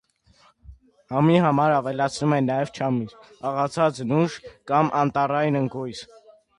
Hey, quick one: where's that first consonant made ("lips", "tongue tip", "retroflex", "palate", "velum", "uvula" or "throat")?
throat